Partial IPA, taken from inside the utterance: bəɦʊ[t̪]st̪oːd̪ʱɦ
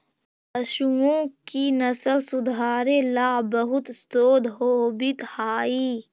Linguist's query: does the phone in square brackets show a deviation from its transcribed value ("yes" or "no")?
no